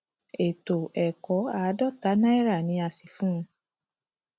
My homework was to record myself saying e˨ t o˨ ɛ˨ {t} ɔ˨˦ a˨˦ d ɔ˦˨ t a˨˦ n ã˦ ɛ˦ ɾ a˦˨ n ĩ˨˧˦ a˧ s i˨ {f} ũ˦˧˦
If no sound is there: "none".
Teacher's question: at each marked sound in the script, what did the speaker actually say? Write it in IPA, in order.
k, f

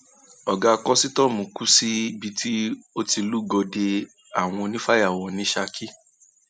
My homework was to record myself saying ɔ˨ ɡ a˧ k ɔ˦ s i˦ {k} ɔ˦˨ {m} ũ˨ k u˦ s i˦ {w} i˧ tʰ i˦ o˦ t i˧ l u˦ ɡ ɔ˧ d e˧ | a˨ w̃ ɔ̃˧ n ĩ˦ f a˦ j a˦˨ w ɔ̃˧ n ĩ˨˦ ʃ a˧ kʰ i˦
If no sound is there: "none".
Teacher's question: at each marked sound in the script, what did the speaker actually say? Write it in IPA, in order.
t, m, b

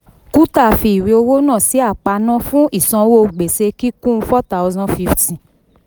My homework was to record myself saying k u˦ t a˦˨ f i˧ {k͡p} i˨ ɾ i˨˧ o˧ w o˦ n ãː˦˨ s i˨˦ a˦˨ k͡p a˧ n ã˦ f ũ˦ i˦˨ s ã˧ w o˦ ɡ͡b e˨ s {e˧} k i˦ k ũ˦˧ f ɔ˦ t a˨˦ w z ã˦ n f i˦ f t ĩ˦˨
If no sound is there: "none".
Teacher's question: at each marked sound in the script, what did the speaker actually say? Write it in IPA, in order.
none, e˧

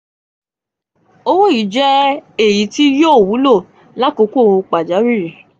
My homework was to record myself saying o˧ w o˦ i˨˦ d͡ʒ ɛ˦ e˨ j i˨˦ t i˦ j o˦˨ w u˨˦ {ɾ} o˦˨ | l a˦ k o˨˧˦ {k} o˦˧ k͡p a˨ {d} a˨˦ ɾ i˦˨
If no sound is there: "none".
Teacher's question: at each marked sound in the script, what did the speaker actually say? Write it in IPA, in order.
l, k, d͡ʒ

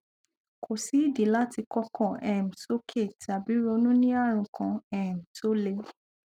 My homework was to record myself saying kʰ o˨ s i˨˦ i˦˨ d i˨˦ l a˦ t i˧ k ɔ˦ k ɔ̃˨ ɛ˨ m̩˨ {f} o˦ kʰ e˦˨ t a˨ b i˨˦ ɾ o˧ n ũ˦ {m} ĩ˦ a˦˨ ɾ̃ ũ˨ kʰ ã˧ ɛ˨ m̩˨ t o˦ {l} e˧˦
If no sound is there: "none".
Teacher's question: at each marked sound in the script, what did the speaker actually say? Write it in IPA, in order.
s, n, l

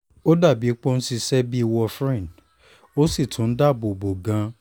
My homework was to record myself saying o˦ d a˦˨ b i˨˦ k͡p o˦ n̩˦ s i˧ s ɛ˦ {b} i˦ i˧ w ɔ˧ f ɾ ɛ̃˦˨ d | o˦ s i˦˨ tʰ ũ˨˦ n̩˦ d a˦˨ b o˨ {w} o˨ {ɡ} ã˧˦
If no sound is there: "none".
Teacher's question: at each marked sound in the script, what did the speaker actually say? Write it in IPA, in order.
b, b, ɡ

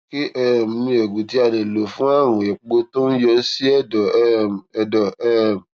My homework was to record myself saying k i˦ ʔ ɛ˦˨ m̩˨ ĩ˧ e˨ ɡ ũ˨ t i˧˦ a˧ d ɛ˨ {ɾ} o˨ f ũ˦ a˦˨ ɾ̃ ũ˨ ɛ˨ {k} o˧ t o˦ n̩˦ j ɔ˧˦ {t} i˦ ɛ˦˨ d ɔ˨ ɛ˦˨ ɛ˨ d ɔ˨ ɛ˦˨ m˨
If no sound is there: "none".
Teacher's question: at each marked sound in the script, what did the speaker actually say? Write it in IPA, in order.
l, k͡p, s

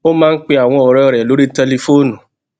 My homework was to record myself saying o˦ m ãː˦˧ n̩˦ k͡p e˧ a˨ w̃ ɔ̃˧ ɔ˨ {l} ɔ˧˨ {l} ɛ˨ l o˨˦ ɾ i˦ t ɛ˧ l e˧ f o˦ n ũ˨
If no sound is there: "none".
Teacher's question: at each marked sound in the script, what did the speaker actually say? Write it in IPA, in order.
ɾ, ɾ

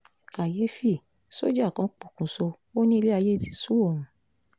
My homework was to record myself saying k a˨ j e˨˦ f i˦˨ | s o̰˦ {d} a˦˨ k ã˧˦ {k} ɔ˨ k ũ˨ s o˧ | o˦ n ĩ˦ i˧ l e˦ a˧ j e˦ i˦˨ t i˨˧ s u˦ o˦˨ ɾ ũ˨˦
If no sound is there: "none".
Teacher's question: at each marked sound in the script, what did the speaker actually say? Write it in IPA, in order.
d͡ʒ, k͡p

